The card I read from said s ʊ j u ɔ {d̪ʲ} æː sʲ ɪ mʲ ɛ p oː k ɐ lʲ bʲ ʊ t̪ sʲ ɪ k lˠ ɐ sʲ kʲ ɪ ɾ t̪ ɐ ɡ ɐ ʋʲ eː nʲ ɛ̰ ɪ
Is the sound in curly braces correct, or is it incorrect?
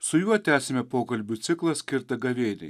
incorrect